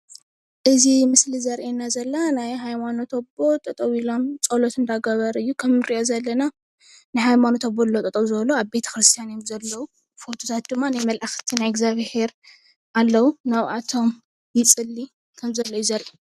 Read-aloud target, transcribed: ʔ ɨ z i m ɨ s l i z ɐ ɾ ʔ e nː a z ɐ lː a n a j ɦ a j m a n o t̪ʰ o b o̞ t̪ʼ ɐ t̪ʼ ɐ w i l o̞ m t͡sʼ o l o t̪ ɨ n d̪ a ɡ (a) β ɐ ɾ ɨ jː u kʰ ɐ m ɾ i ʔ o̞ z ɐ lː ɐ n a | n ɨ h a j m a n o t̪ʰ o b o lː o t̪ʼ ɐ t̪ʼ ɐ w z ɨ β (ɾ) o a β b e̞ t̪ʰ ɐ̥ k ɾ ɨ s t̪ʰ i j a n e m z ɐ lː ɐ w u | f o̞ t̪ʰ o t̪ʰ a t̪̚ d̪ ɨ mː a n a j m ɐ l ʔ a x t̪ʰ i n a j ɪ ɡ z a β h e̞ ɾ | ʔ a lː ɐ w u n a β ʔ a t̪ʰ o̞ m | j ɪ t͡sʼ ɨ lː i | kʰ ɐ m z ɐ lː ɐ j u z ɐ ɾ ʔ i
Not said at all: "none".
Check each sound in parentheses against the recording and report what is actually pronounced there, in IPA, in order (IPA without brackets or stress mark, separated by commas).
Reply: ɐ, l